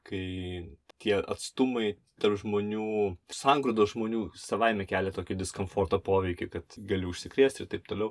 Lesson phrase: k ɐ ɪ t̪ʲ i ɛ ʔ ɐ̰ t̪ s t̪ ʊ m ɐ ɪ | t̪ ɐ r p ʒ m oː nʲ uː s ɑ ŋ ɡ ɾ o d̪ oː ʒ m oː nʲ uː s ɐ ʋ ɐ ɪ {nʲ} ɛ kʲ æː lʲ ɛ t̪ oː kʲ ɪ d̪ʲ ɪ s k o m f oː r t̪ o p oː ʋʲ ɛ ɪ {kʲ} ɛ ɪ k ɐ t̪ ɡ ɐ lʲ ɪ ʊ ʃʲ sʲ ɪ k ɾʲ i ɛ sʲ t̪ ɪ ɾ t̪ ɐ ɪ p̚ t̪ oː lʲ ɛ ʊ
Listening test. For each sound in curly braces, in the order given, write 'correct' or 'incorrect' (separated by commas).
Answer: incorrect, correct